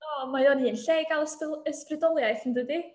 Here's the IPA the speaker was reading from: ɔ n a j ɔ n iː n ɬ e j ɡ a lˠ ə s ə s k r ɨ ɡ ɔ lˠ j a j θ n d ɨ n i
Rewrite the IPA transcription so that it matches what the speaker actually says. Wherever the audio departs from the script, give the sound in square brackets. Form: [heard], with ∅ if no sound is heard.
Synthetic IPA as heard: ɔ [m] a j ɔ n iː n ɬ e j ɡ a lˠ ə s ə s [p] r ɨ [d] ɔ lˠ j a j θ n d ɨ [d] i